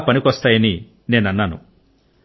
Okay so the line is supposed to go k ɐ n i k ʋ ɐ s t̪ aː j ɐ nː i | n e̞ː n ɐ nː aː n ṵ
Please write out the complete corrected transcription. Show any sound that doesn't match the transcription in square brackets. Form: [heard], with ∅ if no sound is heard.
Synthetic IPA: [p] ɐ n i k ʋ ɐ s t̪ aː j ɐ [n] i | n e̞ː n ɐ nː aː n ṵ